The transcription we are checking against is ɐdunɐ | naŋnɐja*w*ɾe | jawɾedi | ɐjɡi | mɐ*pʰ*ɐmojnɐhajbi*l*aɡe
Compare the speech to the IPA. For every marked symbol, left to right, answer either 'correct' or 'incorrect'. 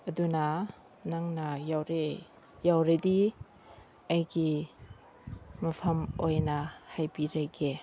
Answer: correct, correct, incorrect

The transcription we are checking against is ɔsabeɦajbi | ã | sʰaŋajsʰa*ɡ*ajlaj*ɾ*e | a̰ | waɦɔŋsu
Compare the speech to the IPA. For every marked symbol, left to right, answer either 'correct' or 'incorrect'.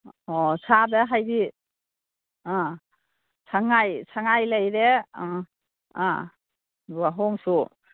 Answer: incorrect, correct

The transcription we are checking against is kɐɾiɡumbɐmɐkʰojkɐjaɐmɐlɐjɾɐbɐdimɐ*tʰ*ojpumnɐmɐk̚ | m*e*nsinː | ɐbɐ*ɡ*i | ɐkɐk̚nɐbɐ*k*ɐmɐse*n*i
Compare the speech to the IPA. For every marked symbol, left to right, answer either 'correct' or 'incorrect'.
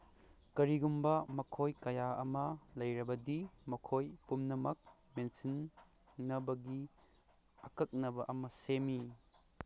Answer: incorrect, correct, correct, incorrect, incorrect

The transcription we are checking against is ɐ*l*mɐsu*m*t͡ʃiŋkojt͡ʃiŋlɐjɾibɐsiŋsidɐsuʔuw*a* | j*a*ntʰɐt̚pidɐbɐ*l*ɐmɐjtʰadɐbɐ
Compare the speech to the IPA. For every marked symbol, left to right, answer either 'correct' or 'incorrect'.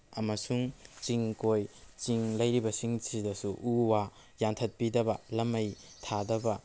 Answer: incorrect, incorrect, correct, correct, correct

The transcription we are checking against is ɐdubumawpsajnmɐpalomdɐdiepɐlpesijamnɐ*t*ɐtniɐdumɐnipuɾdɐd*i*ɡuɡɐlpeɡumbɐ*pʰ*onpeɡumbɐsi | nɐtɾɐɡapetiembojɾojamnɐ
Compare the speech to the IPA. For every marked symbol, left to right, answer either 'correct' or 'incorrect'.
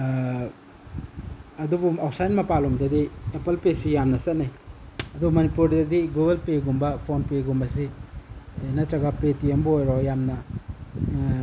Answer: incorrect, correct, correct

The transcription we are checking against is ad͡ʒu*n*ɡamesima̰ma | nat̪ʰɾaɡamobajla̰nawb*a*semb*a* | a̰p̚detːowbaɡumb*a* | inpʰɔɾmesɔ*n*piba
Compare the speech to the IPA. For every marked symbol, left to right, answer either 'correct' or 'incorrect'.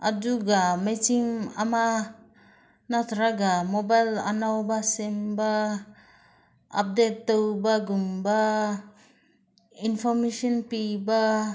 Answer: incorrect, correct, correct, correct, correct

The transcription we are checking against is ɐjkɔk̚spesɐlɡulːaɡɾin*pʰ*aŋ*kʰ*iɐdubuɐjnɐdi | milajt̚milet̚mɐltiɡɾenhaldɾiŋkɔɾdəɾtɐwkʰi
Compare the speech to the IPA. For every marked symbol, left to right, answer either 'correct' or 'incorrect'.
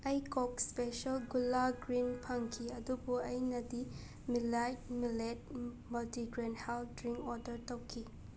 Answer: correct, correct

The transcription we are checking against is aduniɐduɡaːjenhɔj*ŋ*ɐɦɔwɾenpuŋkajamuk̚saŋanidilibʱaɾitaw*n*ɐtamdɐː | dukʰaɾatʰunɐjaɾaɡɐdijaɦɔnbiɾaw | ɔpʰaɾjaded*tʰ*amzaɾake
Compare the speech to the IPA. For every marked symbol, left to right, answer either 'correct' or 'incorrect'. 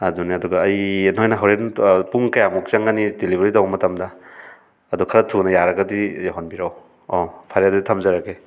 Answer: incorrect, incorrect, correct

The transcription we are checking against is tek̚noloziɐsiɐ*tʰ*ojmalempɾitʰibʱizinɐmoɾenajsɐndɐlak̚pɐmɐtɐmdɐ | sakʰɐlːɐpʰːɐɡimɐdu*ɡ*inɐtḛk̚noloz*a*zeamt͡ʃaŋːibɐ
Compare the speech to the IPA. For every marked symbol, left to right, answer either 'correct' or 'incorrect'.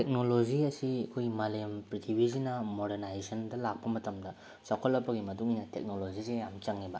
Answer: incorrect, incorrect, incorrect

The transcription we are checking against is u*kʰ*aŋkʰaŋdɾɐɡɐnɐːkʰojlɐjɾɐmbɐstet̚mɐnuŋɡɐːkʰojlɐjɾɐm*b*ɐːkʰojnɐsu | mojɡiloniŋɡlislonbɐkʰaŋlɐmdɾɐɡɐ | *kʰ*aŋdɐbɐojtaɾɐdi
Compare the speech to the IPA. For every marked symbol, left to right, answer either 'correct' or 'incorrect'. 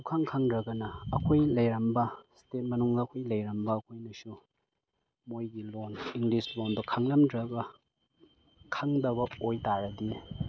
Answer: correct, correct, correct

